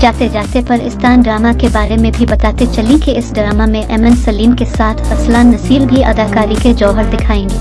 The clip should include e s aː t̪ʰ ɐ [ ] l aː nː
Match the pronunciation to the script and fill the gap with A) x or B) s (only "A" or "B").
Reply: B